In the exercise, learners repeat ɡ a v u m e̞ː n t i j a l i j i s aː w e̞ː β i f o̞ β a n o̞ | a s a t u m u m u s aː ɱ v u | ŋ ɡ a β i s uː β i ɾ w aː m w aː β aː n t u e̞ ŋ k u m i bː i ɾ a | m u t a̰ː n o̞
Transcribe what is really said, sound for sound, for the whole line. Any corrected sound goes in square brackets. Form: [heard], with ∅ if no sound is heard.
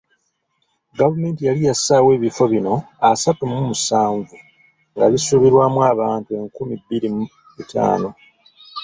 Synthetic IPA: ɡ a v u m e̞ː n t i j a l i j [a] s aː w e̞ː β i f o̞ β [i] n o̞ | a s a t u m u m u s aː ɱ v u | ŋ ɡ a β i s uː β i ɾ w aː m w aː β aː n t u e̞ ŋ k u m i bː i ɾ [i] | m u t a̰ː n o̞